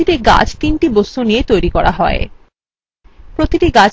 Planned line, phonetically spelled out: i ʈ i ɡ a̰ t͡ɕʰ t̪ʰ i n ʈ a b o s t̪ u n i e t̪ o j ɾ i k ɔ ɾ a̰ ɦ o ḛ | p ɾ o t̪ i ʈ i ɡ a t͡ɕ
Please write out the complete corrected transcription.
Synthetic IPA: i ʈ i ɡ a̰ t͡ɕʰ t̪ i n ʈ i b o s t̪ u n i e t̪ o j ɾ i k ɔ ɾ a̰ ɦ ɔ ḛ | p ɾ o t̪ i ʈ i ɡ a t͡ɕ